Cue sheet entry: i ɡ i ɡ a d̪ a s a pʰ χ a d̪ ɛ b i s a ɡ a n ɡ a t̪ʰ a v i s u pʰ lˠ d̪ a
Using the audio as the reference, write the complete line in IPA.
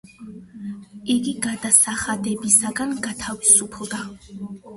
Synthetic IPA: i ɡ i ɡ a d̪ a s a χ a d̪ ɛ b i s a ɡ a n ɡ a t̪ʰ a v i s u pʰ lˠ d̪ a